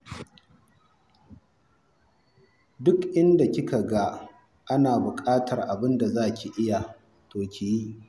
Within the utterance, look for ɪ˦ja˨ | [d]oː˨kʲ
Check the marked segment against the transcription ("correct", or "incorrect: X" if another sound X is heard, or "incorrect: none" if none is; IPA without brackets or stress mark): incorrect: t